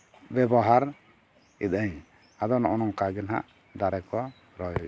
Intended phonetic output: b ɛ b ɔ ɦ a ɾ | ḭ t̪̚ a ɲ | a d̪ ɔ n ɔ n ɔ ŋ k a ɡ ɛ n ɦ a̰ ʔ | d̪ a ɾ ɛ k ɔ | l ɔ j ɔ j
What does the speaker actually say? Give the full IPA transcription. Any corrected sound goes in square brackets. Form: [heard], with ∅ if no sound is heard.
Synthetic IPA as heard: b ɛ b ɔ ɦ a ɾ | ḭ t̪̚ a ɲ | a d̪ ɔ n ɔ n ɔ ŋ k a ɡ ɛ n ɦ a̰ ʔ | d̪ a ɾ ɛ k ɔ | [ɾ] ɔ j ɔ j